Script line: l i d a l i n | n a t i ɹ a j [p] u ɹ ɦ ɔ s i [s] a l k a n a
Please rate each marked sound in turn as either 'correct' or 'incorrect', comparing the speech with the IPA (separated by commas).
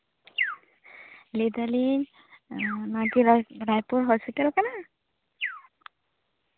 correct, incorrect